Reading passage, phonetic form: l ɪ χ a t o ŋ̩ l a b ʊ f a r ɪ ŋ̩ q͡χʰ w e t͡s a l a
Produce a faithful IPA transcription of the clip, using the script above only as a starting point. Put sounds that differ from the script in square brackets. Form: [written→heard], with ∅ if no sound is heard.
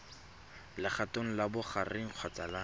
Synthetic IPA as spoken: l ɪ χ a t o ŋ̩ l a b ʊ [f→χ] a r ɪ ŋ̩ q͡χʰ w [e→a] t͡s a l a